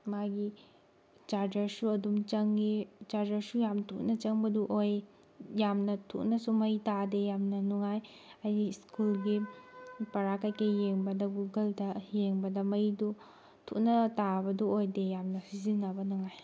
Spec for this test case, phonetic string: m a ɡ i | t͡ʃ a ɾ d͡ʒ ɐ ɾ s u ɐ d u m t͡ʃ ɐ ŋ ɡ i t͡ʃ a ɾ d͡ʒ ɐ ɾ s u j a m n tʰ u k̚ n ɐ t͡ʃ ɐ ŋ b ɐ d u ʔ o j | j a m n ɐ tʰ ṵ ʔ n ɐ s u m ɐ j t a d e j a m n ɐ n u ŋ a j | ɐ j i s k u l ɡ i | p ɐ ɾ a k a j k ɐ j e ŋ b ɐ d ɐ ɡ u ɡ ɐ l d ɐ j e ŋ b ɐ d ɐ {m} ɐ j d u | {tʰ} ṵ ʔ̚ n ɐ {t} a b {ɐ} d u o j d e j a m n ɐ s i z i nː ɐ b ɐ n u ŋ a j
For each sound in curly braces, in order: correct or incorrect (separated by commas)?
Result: correct, correct, correct, correct